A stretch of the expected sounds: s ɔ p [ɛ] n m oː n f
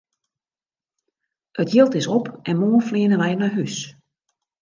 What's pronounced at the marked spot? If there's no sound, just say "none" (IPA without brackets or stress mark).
ɛ